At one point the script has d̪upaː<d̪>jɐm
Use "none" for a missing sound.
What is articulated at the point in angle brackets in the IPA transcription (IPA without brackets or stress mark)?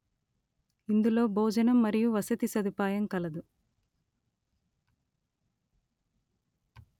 none